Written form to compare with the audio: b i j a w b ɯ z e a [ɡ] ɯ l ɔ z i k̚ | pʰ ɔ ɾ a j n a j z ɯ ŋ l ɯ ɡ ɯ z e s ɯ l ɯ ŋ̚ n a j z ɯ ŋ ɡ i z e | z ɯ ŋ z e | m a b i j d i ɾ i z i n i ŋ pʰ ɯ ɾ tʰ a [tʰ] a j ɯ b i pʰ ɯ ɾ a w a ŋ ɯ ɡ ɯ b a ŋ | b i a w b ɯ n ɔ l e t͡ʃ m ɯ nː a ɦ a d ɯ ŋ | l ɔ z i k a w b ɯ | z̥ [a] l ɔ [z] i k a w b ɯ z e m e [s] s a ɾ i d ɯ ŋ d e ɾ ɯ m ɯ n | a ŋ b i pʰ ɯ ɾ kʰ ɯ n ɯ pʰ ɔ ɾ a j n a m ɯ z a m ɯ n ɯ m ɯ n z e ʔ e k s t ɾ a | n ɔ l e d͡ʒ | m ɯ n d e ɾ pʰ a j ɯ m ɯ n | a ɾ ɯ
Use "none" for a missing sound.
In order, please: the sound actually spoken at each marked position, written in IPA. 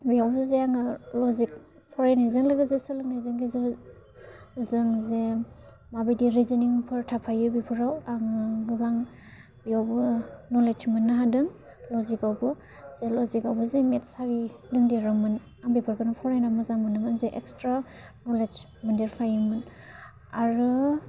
ŋ, pʰ, e, z, t

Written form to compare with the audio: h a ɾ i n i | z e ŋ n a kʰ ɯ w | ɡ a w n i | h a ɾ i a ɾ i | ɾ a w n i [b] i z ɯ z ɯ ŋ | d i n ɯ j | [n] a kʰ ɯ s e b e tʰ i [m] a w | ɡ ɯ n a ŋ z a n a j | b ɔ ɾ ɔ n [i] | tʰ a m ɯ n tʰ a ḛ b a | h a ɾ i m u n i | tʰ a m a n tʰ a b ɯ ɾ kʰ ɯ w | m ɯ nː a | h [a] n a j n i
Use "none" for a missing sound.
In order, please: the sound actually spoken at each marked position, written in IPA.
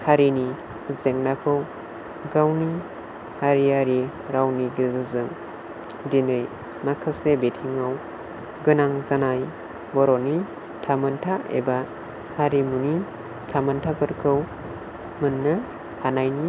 ɡ, m, ŋ, i, a

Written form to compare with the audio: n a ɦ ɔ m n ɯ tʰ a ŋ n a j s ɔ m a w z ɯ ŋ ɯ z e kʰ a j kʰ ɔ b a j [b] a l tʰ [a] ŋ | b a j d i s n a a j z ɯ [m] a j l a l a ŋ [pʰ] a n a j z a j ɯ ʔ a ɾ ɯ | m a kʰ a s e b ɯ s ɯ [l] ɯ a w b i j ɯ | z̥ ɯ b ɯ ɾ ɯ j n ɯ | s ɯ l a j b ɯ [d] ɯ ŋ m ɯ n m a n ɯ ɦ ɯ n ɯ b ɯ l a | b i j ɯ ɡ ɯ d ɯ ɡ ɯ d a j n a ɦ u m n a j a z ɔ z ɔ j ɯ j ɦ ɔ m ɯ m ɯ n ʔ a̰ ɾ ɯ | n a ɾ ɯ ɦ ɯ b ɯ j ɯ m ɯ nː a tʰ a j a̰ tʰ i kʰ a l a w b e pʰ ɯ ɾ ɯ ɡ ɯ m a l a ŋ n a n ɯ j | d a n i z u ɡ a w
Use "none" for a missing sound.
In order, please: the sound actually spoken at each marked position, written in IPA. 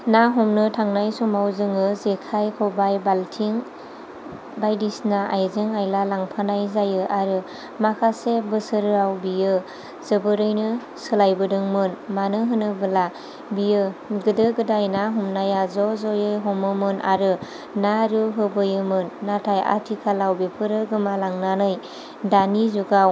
b, i, ŋ, pʰ, ɾ, d

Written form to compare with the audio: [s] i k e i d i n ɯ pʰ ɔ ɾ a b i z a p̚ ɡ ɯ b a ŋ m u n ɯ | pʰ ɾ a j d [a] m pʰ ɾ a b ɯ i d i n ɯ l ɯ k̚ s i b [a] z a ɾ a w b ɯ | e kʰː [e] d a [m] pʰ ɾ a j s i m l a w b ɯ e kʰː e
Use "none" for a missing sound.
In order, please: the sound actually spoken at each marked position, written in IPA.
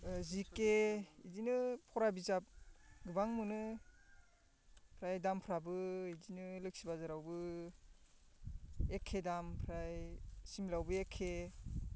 z, a, a, e, m

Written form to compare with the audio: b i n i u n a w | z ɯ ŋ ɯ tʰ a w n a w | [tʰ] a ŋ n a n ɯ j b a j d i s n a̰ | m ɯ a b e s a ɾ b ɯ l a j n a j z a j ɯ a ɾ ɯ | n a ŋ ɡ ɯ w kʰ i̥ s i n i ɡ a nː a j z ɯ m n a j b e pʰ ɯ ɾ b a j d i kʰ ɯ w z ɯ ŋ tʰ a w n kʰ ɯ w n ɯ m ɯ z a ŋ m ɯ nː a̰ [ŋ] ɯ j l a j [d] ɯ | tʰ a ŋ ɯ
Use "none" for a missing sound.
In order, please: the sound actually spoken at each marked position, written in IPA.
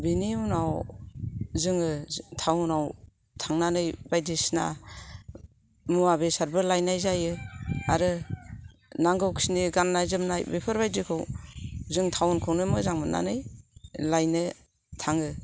tʰ, n, n

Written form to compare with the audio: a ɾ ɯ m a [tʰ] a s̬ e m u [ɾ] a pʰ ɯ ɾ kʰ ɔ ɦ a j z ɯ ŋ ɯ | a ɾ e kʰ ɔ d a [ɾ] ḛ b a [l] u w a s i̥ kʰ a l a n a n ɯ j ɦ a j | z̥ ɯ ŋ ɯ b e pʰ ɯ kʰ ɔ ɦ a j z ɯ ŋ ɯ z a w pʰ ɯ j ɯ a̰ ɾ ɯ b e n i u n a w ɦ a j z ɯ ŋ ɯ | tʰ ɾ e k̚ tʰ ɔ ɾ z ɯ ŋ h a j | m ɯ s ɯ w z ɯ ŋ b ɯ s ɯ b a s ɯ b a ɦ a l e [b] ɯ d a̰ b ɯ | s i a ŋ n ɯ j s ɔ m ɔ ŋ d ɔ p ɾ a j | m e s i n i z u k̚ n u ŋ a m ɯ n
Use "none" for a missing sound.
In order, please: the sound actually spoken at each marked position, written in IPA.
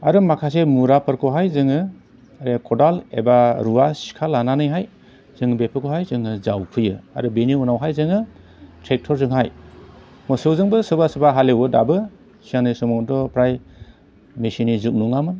kʰ, ɾ, l, ɾ, w

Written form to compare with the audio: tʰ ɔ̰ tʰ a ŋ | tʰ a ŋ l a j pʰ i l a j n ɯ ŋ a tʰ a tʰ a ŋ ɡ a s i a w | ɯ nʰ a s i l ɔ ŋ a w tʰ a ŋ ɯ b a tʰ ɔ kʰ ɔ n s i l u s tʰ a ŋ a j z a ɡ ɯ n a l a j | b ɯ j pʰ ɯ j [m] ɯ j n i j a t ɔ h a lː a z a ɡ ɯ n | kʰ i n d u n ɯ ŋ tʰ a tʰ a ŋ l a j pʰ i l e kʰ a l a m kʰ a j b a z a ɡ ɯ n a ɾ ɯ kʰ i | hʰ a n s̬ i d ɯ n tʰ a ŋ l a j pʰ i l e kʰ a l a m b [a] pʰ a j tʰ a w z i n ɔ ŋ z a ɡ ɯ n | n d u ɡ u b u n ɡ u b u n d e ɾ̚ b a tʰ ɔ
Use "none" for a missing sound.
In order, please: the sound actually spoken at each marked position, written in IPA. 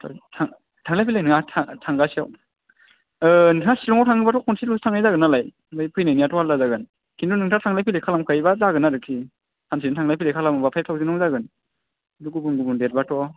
n, a

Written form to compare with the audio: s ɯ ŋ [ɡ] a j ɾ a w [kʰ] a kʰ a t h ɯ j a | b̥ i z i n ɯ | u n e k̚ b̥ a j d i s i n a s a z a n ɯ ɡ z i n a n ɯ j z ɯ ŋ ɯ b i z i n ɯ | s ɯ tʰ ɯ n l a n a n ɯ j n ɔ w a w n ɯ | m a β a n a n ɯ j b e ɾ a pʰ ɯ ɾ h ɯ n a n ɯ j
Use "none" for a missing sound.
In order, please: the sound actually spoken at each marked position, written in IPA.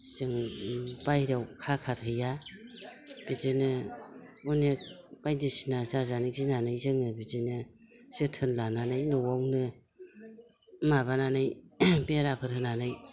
b, kʰ

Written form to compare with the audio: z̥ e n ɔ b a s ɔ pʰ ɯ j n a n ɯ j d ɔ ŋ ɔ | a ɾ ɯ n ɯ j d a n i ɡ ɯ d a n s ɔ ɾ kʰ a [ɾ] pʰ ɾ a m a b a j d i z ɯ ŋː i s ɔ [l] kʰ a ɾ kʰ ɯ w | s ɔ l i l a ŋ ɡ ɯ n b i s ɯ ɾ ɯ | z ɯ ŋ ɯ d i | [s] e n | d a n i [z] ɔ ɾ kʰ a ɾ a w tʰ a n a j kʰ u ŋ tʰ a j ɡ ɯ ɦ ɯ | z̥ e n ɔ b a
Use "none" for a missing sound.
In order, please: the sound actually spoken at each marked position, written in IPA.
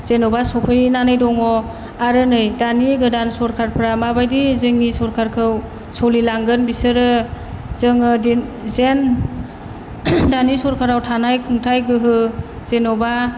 ɾ, ɾ, z, s

